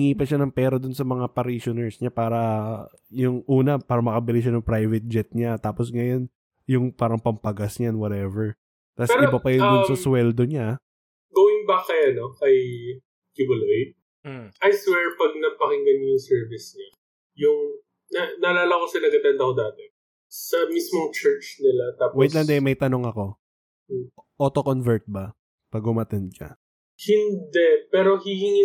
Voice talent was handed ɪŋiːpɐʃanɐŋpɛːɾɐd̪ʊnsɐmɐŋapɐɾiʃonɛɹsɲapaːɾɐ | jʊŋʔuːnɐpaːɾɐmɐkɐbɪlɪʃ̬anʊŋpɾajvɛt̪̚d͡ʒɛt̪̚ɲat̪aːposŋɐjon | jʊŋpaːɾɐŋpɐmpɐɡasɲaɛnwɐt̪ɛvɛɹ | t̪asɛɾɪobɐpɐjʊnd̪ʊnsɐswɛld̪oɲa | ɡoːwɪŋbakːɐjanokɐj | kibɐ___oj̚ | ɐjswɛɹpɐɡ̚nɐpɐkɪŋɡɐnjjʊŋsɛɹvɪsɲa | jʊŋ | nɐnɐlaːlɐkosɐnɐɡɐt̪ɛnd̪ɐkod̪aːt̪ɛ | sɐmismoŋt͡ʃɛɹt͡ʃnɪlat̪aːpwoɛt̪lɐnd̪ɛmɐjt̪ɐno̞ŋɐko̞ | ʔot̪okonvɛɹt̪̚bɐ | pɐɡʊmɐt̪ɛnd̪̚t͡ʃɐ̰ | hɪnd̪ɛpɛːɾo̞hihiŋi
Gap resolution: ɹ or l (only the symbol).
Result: l